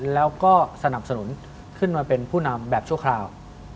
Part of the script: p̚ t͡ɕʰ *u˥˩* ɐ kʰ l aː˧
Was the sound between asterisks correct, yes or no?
yes